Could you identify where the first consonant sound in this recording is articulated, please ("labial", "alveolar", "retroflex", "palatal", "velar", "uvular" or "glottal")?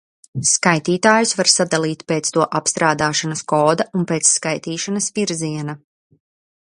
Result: alveolar